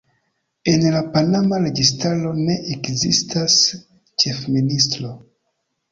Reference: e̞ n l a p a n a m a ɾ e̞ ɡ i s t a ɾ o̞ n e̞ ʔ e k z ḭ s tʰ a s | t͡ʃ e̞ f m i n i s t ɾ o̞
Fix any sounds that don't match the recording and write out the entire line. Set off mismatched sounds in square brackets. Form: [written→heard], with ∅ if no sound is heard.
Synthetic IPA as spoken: e̞ n l a p a n a m a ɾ e̞ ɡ i s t a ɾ o̞ n e̞ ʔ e k z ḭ s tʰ a s | t͡ʃ e̞ f m i n i s t ɾ o̞